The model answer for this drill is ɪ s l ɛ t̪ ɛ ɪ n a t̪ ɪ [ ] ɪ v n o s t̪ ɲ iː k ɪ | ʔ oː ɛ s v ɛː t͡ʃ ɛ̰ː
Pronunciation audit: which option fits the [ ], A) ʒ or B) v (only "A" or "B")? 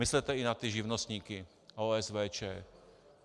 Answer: A